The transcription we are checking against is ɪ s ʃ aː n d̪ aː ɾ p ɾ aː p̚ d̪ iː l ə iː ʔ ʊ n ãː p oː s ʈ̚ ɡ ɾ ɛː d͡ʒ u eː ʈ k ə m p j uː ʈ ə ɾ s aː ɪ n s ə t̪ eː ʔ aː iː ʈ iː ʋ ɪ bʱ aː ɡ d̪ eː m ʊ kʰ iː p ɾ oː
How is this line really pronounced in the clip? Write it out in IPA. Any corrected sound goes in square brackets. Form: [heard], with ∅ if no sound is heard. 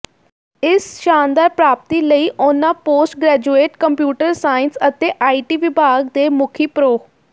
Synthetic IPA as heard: ɪ s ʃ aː n d̪ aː ɾ p ɾ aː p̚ [t̪] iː l ə iː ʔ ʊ n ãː p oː s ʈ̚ ɡ ɾ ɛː d͡ʒ u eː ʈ k ə m p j uː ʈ ə ɾ s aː ɪ n s ə t̪ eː ʔ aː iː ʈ iː ʋ ɪ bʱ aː ɡ d̪ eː m ʊ kʰ iː p ɾ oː